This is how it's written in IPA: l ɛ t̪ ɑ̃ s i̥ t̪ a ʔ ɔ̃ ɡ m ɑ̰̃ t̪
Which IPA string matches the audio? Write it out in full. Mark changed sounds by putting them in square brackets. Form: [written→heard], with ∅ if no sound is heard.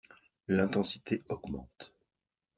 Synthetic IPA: l [ɛ→ɛ̃] t̪ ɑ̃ s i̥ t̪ [a→e] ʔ [ɔ̃→ɔ] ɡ m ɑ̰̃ t̪